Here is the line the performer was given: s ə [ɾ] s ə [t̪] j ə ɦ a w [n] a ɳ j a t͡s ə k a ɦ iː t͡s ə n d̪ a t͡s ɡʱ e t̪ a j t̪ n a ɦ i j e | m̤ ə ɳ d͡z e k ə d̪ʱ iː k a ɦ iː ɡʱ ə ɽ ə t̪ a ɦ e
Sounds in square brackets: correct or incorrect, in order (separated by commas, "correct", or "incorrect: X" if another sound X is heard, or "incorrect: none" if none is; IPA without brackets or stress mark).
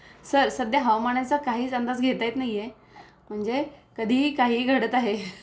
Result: correct, incorrect: d̪, incorrect: m